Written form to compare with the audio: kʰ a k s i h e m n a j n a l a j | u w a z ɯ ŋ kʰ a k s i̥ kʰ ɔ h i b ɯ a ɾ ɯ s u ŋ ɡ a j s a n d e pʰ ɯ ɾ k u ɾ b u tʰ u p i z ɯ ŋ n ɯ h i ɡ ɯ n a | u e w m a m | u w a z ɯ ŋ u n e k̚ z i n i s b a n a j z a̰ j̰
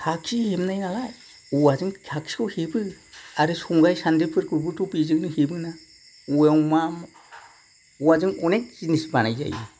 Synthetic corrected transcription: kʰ a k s i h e m n a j n a l a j | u w a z ɯ ŋ kʰ a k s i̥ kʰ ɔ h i b ɯ a ɾ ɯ s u ŋ ɡ a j s a n d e pʰ ɯ ɾ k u ɾ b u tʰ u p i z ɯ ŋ n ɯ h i b ɯ n a | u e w m a m | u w a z ɯ ŋ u n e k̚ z i n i s b a n a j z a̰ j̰